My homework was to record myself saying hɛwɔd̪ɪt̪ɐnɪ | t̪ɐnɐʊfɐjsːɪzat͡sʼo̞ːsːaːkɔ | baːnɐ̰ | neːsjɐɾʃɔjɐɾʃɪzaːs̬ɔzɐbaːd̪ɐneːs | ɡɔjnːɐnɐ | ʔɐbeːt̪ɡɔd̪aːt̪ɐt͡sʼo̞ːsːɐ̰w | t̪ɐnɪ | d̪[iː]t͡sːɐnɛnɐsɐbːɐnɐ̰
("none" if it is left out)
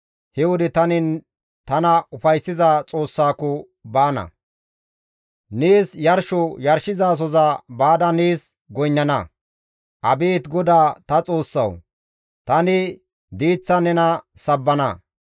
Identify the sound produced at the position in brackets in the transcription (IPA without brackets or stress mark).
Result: iː